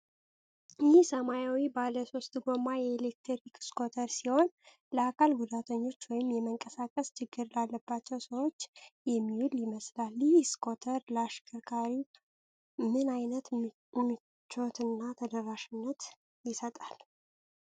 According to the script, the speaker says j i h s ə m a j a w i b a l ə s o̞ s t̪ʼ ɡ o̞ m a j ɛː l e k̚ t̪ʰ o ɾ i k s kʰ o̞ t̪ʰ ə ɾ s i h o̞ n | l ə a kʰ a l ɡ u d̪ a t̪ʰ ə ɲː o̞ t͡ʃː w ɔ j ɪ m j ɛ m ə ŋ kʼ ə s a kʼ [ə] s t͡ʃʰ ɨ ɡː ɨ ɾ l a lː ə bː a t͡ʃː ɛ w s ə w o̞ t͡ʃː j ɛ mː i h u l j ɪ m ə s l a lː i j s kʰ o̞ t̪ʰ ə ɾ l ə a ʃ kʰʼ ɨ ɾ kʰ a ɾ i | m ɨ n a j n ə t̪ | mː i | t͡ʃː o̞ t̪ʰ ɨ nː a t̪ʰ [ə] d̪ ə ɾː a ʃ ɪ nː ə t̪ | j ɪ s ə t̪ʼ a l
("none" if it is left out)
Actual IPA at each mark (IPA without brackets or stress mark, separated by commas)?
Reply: ə, ə